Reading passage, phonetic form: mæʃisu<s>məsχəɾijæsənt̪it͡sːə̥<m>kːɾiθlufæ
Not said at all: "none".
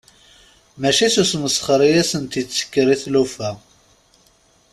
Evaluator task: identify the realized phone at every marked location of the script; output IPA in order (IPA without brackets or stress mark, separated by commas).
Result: s, none